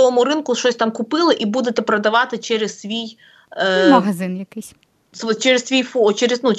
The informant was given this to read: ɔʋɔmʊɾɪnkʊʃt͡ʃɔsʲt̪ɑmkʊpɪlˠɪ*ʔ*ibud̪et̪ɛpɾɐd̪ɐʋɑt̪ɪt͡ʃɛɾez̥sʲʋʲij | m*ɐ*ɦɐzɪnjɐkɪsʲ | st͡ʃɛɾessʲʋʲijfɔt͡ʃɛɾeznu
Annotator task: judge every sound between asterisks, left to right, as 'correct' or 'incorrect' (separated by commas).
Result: correct, correct